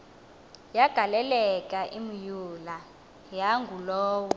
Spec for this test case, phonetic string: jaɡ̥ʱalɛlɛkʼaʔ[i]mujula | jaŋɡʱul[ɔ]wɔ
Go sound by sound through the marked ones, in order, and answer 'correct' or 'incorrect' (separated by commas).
correct, incorrect